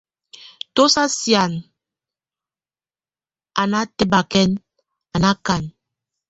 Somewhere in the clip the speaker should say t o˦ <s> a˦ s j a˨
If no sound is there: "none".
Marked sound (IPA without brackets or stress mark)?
s